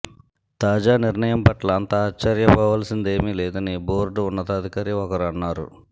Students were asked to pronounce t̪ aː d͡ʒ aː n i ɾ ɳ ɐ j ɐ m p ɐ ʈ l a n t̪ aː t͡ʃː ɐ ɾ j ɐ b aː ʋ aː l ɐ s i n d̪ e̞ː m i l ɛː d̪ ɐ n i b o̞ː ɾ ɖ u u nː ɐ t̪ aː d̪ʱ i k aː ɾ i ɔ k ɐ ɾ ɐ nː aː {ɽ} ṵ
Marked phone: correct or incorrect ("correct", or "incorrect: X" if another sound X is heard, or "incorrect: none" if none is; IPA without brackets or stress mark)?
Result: incorrect: ɾ